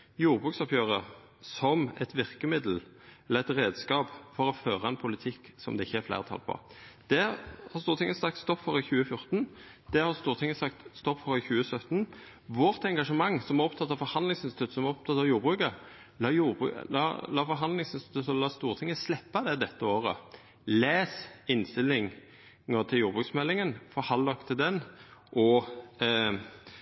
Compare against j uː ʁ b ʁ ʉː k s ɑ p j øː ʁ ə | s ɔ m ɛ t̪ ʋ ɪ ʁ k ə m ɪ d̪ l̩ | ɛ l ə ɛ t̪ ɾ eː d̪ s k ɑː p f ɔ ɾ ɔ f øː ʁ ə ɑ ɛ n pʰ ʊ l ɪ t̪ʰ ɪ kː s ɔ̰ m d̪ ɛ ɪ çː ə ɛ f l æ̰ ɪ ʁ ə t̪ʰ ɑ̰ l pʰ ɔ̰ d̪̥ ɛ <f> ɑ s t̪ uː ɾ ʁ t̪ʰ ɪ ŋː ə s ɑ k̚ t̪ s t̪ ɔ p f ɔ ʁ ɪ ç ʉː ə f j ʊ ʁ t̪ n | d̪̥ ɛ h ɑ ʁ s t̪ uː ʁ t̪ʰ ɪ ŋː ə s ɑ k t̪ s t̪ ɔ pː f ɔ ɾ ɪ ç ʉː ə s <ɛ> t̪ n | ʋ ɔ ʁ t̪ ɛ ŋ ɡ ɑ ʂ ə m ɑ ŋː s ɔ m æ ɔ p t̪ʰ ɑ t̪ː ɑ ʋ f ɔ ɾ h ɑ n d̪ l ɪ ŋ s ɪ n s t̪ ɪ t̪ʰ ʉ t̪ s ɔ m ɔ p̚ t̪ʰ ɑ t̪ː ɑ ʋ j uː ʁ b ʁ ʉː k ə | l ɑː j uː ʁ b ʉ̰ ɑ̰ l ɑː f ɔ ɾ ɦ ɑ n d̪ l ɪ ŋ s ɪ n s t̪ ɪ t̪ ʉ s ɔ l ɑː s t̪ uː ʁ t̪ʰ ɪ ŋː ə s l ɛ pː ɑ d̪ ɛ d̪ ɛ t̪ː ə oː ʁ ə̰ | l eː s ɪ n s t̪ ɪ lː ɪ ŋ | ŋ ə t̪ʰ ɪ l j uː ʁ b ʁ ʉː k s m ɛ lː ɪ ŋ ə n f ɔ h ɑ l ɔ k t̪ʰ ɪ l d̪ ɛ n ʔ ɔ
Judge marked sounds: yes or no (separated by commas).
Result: no, no